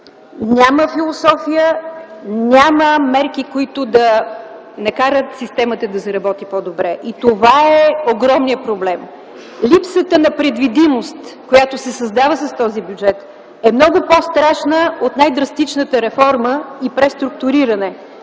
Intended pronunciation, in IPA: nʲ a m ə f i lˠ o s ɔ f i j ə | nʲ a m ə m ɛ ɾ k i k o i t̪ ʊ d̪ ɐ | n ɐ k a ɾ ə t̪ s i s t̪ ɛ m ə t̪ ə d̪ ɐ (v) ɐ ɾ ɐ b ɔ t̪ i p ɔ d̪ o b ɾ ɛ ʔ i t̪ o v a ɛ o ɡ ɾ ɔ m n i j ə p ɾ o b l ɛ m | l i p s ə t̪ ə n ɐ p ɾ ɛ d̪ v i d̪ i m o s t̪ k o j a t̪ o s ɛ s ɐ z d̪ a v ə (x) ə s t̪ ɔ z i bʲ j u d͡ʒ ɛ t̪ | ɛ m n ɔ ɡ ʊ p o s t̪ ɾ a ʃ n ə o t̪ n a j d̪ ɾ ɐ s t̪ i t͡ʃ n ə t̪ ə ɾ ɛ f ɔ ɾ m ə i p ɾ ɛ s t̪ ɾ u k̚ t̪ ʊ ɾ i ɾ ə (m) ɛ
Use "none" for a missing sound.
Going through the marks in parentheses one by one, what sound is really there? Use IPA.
z, s, n

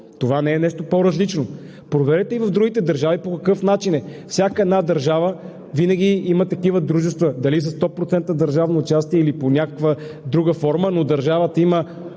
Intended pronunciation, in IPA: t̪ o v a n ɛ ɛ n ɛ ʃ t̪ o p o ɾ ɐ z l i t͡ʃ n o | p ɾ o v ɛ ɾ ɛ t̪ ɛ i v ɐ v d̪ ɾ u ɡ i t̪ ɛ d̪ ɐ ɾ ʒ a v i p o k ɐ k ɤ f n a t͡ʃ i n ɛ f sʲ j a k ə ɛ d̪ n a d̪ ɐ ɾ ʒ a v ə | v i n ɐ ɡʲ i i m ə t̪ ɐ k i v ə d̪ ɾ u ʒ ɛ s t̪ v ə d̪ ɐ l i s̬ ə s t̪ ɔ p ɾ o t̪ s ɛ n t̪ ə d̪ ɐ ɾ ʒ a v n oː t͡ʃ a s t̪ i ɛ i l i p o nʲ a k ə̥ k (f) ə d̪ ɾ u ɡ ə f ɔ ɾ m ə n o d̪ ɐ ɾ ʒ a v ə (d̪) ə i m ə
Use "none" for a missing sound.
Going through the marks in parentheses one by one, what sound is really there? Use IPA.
v, t̪

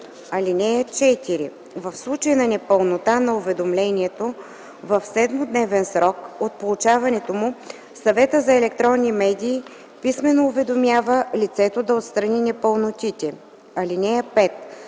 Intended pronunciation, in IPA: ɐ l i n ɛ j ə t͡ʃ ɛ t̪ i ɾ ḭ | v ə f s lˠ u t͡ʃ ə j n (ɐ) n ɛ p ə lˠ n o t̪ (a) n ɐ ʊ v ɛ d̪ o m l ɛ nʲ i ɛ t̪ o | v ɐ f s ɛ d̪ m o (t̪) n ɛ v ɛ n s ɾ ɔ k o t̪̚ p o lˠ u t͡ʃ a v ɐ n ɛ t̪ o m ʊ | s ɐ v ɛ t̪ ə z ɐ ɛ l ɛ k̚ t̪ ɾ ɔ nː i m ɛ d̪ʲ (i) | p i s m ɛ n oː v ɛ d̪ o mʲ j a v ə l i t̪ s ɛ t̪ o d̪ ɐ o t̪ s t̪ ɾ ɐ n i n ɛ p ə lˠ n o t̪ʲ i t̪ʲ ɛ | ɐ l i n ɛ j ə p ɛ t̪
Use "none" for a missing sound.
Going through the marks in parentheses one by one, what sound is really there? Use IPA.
ɐ, a, d̪, iː

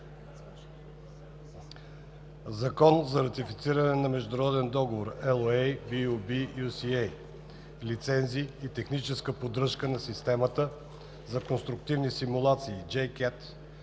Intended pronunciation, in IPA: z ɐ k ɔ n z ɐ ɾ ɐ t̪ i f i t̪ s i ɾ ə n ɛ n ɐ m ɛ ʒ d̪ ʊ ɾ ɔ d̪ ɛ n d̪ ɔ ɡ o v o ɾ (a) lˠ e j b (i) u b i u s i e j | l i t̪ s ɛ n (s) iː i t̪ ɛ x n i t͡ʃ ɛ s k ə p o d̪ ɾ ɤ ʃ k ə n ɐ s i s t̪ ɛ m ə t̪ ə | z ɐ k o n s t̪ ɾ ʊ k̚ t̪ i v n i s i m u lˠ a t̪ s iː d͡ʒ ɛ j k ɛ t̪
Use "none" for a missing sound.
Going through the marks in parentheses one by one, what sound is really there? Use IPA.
ɛ, i, z

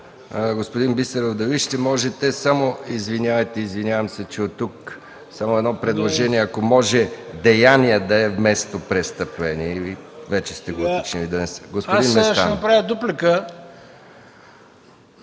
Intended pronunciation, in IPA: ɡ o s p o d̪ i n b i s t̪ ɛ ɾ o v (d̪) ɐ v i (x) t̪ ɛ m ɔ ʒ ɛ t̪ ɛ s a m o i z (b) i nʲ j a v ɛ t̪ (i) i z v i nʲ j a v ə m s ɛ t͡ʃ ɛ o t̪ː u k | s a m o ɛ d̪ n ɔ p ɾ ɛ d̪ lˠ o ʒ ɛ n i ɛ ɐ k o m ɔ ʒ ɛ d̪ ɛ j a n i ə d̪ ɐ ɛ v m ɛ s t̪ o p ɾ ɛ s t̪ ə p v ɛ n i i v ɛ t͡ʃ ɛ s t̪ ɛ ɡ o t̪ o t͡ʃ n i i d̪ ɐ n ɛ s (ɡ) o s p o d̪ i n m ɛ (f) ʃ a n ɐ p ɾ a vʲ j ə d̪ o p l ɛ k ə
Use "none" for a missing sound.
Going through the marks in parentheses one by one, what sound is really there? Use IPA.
d̪, ʃ, v, ɛ, ɡ, s

